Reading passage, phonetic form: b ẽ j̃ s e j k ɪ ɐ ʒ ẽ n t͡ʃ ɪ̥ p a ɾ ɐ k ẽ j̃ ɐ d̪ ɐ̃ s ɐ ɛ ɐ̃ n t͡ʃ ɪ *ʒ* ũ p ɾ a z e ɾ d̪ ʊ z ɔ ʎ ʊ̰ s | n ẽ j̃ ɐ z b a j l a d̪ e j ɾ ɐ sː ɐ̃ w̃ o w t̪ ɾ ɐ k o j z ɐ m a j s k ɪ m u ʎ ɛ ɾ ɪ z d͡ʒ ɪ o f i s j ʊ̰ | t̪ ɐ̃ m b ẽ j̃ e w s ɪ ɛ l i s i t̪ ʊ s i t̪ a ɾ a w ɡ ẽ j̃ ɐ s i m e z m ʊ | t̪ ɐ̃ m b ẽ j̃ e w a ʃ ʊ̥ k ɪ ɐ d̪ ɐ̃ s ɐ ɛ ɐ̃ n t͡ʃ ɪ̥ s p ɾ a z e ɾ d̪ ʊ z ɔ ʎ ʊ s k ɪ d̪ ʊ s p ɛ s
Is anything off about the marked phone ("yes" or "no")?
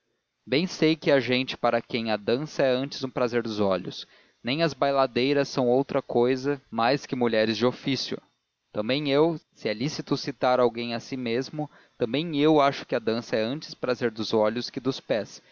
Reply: yes